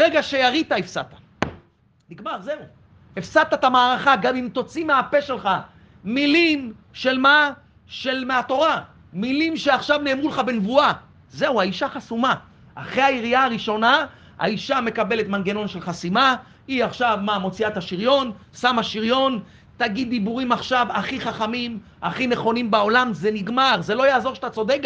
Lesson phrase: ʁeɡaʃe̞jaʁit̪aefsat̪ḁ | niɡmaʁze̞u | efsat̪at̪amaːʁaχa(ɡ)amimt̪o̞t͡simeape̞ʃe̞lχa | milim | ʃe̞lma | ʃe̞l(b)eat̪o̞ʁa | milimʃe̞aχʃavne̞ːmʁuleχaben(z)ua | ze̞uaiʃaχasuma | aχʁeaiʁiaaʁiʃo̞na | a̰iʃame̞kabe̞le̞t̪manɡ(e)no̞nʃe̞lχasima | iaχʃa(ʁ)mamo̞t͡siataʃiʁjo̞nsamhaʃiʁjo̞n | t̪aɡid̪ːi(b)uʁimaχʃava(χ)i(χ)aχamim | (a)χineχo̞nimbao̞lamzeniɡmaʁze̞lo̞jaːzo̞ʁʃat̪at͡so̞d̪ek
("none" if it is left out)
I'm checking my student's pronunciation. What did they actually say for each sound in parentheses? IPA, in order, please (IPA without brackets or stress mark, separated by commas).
ɡ, m, v, e, v, b, χ, χ, a